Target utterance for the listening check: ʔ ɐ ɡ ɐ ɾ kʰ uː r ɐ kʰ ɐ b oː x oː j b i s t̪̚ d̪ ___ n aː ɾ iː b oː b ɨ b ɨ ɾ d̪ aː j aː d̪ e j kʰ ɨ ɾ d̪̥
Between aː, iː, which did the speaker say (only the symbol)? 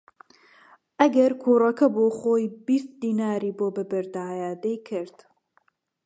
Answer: iː